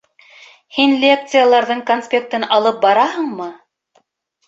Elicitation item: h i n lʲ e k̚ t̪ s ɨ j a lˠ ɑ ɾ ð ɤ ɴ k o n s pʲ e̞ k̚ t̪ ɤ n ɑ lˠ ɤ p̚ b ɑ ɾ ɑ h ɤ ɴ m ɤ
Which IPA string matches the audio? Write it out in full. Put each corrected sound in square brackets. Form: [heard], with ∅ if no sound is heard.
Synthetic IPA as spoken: h i n lʲ e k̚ t̪ s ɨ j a lˠ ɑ ɾ ð ɤ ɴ k o n s pʲ e̞ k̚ t̪ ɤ n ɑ lˠ ɤ p̚ b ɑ ɾ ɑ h ɤ ɴ m ɤ